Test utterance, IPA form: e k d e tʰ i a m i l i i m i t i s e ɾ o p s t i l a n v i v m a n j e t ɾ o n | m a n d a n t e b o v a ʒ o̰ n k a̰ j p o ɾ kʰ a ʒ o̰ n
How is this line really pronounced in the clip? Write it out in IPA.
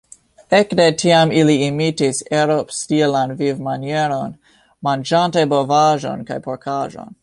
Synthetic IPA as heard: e k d e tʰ i a m i l i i m i t i s e ɾ o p s t i l a n v i v m a n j e ɾ o n | m a n d͡ʒ a n t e b o v a ʒ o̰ n k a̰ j p o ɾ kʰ a ʒ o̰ n

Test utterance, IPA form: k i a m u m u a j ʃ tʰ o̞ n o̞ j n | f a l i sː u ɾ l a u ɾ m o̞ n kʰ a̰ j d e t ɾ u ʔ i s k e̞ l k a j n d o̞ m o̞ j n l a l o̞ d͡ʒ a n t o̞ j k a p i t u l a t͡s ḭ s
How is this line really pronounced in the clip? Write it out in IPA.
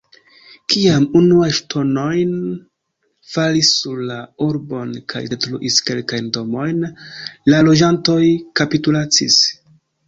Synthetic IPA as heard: k i a m u n u a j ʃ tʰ o̞ n o̞ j n | f a l i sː u ɾ l a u ɾ b o̞ n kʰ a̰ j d e t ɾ u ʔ i s k e̞ l k a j n d o̞ m o̞ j n l a l o̞ d͡ʒ a n t o̞ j k a p i t u l a t͡s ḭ s

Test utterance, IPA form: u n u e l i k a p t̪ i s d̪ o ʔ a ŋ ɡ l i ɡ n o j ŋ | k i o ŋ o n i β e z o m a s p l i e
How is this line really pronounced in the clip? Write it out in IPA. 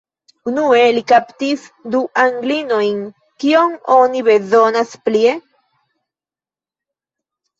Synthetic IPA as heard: u n u e l i k a p t̪ i s d̪ u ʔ a ŋ ɡ l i n o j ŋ | k i o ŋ o n i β e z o n a s p l i e

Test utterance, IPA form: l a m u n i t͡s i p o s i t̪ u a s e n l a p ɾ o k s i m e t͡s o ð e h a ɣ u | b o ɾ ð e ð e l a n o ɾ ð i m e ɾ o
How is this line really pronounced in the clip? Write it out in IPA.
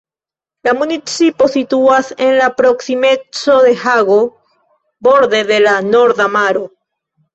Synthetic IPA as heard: l a m u n i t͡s i p o s i t̪ u a s e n l a p ɾ o k s i m e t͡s o ð e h a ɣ o | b o ɾ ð e ð e l a n o ɾ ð a m a ɾ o

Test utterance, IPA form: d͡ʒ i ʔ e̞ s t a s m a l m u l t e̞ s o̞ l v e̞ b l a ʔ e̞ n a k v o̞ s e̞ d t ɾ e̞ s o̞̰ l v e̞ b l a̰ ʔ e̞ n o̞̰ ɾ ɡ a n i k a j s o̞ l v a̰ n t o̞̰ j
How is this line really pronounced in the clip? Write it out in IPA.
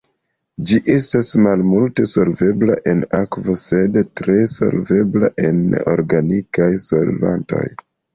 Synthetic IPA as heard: d͡ʒ i ʔ e̞ s t a s m a l m u l t e̞ s o̞ l v e̞ b l a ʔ e̞ n a k v o̞ s e̞ d t ɾ e̞ s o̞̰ l v e̞ b l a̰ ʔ e̞ n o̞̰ ɾ ɡ a n i k a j s o̞ l v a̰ n t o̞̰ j

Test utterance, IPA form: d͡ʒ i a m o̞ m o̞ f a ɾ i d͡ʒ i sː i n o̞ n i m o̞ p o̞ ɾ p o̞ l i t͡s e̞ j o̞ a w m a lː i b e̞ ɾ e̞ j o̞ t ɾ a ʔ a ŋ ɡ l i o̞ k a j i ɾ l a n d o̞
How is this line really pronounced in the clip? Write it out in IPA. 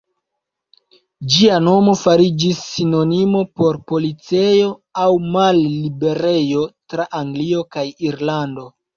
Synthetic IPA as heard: d͡ʒ i a n o̞ m o̞ f a ɾ i d͡ʒ i sː i n o̞ n i m o̞ p o̞ ɾ p o̞ l i t͡s e̞ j o̞ a w m a lː i b e̞ ɾ e̞ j o̞ t ɾ a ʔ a ŋ ɡ l i o̞ k a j i ɾ l a n d o̞

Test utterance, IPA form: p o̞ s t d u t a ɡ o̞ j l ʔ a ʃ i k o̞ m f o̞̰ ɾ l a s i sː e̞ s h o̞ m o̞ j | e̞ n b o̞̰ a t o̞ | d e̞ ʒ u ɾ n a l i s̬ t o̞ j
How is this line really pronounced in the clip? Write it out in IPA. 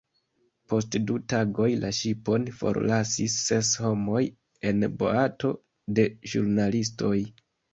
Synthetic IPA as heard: p o̞ s t d u t a ɡ o̞ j l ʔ a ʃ i p o̞ n f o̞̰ ɾ l a s i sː e̞ s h o̞ m o̞ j | e̞ n b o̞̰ a t o̞ | d e̞ ʒ u ɾ n a l i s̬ t o̞ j

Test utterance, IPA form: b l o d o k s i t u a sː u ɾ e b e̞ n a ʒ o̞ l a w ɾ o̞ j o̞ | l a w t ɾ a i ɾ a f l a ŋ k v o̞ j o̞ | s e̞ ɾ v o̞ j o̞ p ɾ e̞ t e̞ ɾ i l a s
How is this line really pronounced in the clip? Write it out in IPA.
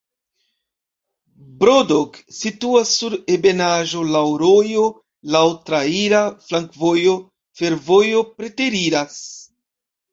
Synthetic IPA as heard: b ɾ o d o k s i t u a sː u ɾ e b e̞ n a ʒ o̞ l a w ɾ o̞ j o̞ | l a w t ɾ a i ɾ a f l a ŋ k v o̞ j o̞ | f e̞ ɾ v o̞ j o̞ p ɾ e̞ t e̞ ɾ i ɾ a s

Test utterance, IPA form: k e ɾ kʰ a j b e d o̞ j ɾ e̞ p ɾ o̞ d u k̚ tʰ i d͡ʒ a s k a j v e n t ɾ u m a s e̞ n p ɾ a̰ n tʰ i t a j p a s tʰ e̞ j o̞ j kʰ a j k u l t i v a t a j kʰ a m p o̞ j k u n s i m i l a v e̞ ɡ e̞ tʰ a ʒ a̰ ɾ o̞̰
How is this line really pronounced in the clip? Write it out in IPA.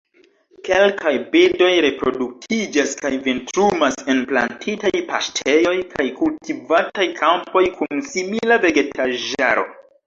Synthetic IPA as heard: k e l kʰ a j b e d o̞ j ɾ e̞ p ɾ o̞ d u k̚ tʰ i d͡ʒ a s k a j v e n t ɾ u m a s e̞ n p l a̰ n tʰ i t a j p a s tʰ e̞ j o̞ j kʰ a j k u l t i v a t a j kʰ a m p o̞ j k u n s i m i l a v e̞ ɡ e̞ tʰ a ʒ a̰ ɾ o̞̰

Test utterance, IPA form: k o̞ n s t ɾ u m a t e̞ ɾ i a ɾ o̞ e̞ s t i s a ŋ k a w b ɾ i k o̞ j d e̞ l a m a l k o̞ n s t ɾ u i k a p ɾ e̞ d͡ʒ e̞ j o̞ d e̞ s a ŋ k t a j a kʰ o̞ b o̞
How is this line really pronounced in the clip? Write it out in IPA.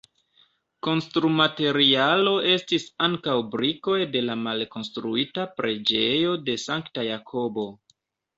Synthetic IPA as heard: k o̞ n s t ɾ u m a t e̞ ɾ i a l o̞ e̞ s t i s a ŋ k a w b ɾ i k o̞ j d e̞ l a m a l k o̞ n s t ɾ u i t a p ɾ e̞ d͡ʒ e̞ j o̞ d e̞ s a ŋ k t a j a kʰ o̞ b o̞

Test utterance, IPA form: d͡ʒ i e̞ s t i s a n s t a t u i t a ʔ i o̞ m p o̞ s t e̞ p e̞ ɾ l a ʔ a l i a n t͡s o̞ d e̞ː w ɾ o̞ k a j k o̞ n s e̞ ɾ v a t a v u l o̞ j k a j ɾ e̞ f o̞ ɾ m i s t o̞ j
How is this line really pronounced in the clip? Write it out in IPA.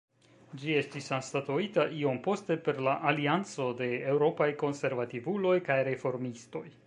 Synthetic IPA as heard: d͡ʒ i e̞ s t i s a n s t a t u i t a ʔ i o̞ m p o̞ s t e̞ p e̞ ɾ l a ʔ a l i a n t͡s o̞ d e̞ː w ɾ o̞ p a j k o̞ n s e̞ ɾ v a t i v u l o̞ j k a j ɾ e̞ f o̞ ɾ m i s t o̞ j

